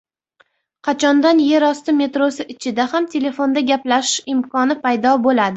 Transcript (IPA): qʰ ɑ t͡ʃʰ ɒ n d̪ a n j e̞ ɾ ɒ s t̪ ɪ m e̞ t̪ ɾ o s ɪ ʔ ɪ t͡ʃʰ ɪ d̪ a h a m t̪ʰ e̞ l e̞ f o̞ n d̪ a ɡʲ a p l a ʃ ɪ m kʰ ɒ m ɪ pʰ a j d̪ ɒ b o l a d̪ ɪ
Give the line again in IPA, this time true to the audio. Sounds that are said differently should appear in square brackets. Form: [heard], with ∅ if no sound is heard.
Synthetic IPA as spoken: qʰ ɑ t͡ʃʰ ɒ n d̪ a n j e̞ ɾ ɒ s t̪ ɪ m e̞ t̪ ɾ o s ɪ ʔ ɪ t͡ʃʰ ɪ d̪ a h a m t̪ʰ e̞ l e̞ f o̞ n d̪ a ɡʲ a p l a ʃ ɪ m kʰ ɒ [n] ɪ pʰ a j d̪ ɒ b o l a d̪ ɪ